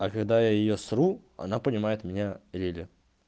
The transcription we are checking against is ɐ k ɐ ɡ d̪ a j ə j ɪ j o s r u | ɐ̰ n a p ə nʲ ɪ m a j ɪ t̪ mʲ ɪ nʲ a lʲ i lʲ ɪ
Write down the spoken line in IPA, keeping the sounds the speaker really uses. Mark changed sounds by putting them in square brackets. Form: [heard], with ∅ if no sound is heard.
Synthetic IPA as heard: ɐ k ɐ ɡ d̪ a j [a] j ɪ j o s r u | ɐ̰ n a p ə nʲ ɪ m a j ɪ t̪ mʲ ɪ nʲ a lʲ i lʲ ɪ